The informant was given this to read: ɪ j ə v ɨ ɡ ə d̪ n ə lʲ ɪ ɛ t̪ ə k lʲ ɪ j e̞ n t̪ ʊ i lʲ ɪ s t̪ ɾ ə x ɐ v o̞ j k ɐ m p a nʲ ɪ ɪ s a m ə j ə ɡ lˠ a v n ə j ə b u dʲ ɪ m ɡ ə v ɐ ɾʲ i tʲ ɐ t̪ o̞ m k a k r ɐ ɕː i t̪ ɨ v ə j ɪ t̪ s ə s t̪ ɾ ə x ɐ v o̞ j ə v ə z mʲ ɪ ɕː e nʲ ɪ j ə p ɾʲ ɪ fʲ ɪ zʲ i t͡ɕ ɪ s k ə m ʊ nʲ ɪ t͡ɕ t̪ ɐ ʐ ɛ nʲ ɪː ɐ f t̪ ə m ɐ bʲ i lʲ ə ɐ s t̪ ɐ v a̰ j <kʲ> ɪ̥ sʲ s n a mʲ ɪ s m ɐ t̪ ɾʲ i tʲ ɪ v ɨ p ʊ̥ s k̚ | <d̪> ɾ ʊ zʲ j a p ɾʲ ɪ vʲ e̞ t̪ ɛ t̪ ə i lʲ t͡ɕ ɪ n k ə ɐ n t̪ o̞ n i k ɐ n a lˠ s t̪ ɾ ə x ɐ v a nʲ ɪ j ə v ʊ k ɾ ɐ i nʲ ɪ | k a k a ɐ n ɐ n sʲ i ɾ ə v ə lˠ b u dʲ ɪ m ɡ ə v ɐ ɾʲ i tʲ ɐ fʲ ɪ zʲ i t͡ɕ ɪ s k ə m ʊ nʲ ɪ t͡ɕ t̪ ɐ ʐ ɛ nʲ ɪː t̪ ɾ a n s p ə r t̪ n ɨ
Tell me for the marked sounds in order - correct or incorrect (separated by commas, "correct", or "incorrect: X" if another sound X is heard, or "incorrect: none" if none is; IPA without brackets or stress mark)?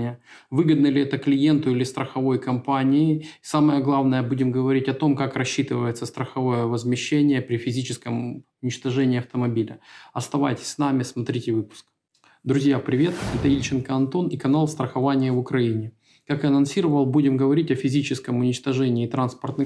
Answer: incorrect: tʲ, correct